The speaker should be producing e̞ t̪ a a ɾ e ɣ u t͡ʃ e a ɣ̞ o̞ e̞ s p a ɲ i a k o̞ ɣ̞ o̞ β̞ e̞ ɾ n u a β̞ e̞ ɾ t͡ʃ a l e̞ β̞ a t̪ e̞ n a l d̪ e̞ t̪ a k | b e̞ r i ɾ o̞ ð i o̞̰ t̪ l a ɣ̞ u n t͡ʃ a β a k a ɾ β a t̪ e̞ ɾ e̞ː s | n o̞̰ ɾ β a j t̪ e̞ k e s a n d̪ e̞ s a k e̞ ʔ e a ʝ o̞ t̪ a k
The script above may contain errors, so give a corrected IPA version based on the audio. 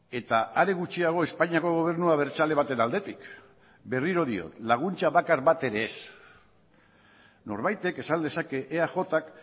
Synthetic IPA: e̞ t̪ a a ɾ e ɣ u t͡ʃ i a ɣ̞ o̞ e̞ s p a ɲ i a k o̞ ɣ̞ o̞ β̞ e̞ ɾ n u a β̞ e̞ ɾ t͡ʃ a l e̞ β̞ a t̪ e̞ n a l d̪ e̞ t̪ i k | b e̞ r i ɾ o̞ ð i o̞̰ t̪ l a ɣ̞ u n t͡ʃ a β a k a ɾ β a t̪ e̞ ɾ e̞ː s | n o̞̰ ɾ β a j t̪ e̞ k e s a n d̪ e̞ s a k e̞ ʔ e a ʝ o̞ t̪ a k